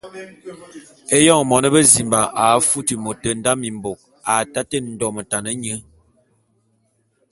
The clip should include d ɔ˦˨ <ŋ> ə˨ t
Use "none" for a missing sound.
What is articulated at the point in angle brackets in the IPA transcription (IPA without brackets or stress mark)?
m